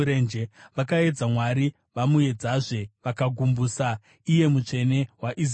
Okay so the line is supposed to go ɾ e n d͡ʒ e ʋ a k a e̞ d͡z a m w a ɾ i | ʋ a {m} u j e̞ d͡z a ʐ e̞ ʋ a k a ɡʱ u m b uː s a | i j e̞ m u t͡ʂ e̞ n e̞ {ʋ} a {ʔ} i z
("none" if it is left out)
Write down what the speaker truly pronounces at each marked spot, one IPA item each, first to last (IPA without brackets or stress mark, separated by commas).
m, w, ʔ